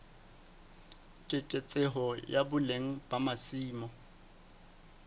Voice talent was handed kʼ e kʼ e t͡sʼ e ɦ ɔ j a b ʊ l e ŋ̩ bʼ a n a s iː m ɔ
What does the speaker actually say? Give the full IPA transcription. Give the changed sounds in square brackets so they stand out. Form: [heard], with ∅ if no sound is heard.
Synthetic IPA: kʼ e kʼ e t͡sʼ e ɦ ɔ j a b ʊ l e ŋ̩ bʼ a [m] a s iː m ɔ